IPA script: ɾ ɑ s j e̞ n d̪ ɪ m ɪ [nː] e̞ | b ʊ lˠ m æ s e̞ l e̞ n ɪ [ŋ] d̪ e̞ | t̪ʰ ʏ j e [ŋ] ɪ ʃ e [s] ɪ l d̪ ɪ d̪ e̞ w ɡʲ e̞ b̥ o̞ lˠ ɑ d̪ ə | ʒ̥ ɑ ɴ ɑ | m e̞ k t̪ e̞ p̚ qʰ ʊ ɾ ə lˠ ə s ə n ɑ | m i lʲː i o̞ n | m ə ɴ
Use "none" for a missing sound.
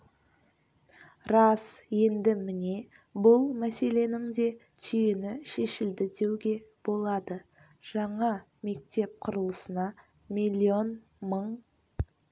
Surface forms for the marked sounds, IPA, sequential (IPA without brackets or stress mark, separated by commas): n, ŋ, n, ʃ